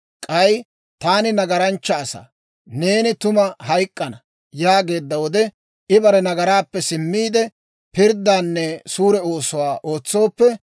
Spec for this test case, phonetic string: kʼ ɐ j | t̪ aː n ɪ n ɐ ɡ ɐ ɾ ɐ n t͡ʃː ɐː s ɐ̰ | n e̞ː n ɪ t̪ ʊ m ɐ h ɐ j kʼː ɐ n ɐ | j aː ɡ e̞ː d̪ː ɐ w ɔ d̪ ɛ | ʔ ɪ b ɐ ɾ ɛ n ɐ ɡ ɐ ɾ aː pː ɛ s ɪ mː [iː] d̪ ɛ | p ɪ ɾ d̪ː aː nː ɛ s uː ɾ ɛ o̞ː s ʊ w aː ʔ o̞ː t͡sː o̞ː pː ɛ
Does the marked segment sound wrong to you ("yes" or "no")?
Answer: no